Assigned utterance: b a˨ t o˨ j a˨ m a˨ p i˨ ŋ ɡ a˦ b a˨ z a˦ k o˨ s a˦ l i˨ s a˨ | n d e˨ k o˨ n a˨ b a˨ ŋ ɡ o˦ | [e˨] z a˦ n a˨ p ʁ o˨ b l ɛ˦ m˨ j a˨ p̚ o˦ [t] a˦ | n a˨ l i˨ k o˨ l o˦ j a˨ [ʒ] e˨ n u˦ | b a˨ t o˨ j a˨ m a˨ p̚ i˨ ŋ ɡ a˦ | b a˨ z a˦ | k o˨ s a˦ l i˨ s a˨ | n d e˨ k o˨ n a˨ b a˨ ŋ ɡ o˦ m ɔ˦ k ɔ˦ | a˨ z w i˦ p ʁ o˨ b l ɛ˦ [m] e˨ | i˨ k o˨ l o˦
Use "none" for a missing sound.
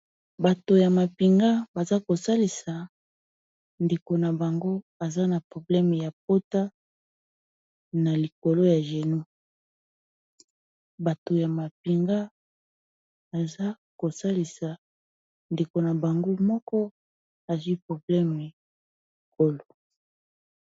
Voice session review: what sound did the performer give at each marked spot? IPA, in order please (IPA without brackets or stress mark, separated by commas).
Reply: a˨, t, ʒ, m